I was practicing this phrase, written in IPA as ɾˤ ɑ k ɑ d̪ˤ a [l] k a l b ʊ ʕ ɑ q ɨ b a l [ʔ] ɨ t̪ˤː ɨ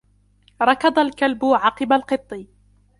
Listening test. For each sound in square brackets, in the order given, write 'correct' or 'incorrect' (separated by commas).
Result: correct, incorrect